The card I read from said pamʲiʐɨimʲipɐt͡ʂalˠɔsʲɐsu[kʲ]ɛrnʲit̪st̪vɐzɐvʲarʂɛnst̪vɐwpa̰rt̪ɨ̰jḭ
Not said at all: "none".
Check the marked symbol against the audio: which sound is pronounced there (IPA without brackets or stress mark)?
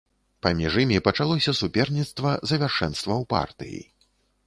pʲ